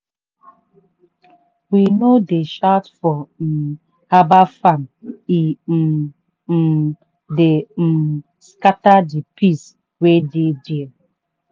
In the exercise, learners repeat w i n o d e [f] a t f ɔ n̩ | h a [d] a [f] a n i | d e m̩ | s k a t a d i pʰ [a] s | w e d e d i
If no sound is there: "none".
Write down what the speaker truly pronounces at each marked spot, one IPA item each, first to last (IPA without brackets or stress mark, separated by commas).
ʃ, b, f, i